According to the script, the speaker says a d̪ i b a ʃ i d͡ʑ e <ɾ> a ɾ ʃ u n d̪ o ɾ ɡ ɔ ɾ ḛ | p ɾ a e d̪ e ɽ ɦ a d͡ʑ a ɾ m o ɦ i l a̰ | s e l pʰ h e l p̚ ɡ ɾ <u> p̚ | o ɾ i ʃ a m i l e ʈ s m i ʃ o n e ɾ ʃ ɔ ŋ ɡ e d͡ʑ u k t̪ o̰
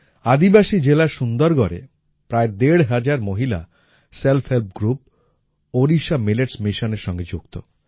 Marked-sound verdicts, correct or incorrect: incorrect: l, correct

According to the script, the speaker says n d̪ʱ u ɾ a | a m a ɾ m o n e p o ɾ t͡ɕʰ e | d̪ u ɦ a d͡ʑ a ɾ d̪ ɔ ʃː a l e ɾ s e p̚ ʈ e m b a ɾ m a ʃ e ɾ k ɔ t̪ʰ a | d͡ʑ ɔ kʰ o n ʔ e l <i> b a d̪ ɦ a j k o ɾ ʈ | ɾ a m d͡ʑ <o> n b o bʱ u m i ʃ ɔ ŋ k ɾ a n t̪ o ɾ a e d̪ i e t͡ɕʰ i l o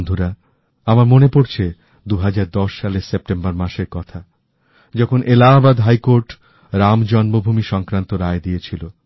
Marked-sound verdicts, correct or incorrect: incorrect: a, incorrect: ɔ

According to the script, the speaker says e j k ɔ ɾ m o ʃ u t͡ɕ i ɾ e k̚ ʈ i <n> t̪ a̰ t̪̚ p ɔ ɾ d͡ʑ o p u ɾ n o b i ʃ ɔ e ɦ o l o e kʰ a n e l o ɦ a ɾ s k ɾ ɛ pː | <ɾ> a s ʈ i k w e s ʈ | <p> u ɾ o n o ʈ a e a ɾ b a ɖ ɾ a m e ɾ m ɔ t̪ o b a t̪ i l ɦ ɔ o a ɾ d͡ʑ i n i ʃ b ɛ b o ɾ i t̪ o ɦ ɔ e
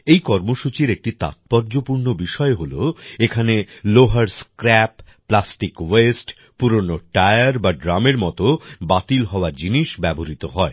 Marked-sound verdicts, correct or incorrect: incorrect: none, incorrect: l, correct

